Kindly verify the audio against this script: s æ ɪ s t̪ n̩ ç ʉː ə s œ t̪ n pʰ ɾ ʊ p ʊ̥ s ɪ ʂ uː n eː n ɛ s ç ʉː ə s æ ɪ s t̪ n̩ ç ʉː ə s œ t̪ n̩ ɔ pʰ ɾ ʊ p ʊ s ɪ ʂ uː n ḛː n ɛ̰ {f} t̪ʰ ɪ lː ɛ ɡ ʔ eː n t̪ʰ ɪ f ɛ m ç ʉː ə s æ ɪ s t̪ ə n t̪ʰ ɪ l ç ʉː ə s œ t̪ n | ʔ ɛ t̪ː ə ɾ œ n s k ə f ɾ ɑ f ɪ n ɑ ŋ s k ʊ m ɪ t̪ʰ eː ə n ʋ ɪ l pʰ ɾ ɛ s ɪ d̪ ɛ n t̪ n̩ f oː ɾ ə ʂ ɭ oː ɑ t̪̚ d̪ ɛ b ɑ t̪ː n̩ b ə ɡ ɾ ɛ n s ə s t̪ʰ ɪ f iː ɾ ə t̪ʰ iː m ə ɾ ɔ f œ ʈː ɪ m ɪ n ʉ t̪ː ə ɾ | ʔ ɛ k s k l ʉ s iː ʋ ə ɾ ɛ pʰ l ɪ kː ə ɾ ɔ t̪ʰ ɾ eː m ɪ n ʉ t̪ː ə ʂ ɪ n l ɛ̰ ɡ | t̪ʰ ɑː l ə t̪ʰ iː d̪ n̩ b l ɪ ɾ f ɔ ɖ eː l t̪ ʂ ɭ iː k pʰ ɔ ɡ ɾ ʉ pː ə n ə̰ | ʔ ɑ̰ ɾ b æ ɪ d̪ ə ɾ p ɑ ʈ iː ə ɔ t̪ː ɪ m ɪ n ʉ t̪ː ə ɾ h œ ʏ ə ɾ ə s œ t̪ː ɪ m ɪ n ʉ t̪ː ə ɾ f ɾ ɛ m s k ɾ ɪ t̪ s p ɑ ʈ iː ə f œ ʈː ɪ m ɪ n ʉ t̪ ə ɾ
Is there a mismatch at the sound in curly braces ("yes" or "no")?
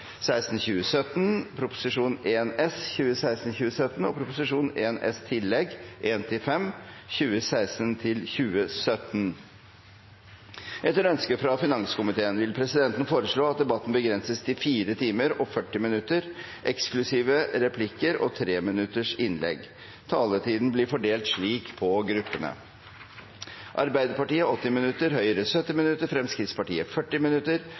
yes